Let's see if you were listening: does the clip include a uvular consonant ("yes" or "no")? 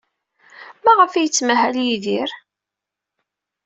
yes